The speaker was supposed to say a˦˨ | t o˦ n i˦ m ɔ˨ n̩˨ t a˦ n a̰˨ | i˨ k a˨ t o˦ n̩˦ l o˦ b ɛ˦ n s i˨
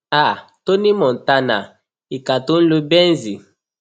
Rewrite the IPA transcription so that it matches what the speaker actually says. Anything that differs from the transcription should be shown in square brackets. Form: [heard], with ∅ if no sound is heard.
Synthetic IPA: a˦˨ | t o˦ n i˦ m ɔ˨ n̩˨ t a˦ n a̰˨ | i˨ k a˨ t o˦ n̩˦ l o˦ b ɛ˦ n [z] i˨